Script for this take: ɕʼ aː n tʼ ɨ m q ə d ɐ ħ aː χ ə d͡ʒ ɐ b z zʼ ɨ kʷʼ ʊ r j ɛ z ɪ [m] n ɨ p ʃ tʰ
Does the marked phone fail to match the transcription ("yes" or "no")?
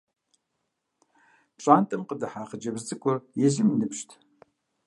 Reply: no